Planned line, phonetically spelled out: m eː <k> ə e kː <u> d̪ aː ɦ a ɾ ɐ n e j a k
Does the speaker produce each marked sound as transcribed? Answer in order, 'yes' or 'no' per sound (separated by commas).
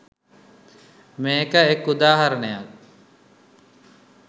yes, yes